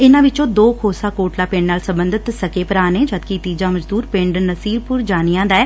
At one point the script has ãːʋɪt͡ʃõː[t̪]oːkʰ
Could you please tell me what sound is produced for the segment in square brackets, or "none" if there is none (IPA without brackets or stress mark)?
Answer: d̪